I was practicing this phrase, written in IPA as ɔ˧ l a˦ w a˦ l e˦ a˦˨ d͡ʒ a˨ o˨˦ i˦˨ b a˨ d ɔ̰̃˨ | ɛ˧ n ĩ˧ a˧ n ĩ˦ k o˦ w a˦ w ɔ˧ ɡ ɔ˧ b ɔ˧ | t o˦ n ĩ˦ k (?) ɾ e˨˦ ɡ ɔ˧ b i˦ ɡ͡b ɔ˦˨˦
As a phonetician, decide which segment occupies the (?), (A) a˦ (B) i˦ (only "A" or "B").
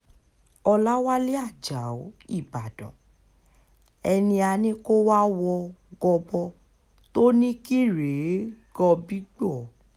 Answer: B